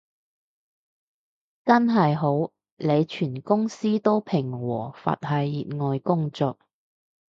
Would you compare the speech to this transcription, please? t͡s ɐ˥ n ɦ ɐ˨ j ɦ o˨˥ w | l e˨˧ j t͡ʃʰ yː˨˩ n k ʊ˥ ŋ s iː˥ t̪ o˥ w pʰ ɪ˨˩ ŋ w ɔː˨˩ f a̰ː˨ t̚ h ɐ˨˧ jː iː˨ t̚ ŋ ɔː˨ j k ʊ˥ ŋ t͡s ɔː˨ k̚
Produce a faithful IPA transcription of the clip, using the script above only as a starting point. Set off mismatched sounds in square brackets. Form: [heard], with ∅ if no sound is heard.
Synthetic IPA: t͡s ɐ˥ n ɦ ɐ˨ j ɦ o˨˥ w | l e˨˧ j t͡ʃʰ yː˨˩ n k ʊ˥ ŋ s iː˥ t̪ o˥ w pʰ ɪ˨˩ ŋ w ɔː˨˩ f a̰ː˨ t̚ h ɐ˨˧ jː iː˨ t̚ ŋ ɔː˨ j k ʊ˥ ŋ t͡s ɔː˨ k̚